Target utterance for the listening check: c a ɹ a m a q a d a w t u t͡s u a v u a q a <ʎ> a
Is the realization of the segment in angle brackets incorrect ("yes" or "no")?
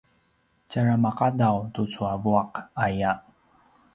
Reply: yes